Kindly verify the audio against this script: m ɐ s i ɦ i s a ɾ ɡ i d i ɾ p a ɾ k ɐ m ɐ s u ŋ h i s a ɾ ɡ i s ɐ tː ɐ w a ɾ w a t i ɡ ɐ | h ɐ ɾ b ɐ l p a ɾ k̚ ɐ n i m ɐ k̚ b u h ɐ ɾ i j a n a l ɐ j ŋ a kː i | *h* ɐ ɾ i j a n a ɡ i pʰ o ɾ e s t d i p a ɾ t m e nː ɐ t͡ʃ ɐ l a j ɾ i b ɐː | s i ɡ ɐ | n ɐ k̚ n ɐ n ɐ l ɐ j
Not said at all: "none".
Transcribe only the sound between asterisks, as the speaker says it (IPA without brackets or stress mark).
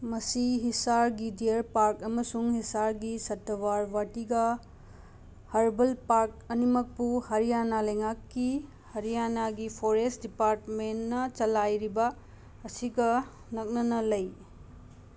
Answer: h